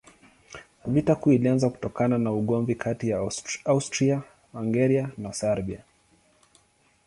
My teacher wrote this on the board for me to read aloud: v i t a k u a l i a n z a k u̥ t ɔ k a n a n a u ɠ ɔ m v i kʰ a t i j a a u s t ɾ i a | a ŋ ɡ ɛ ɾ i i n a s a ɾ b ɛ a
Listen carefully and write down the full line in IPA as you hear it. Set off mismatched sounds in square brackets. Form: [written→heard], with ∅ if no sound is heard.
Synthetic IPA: v i t a k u [a→i] l i a n z a k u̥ t ɔ k a n a n a u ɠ ɔ m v i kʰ a t i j a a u s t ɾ i a | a ŋ ɡ ɛ ɾ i [i→a] n a s a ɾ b [ɛ→i] a